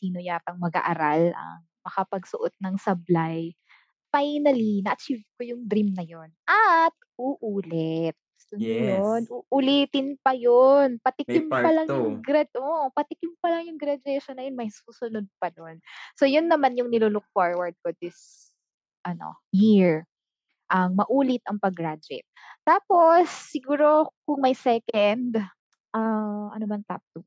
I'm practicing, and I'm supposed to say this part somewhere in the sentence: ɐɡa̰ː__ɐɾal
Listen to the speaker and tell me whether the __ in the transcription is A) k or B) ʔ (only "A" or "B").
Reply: B